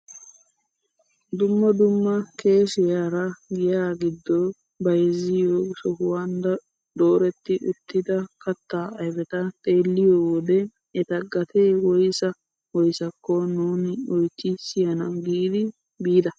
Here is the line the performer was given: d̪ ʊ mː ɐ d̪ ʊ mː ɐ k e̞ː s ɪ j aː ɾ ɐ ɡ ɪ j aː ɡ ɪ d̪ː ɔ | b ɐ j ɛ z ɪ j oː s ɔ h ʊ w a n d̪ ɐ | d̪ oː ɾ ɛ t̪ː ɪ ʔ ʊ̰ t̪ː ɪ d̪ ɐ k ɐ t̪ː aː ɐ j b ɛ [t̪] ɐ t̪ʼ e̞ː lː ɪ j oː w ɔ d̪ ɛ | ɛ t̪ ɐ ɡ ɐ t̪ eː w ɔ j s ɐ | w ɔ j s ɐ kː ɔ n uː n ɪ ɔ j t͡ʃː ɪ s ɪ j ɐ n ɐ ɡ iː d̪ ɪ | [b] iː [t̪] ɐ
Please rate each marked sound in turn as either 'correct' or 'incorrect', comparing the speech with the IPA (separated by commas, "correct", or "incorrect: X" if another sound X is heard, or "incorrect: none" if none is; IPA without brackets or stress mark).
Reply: correct, correct, incorrect: d̪